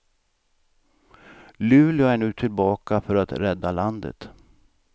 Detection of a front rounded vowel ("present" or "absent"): present